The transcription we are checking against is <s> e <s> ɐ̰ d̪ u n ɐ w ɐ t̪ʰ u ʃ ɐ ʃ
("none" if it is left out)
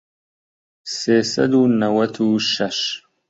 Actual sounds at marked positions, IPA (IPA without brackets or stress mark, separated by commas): s, s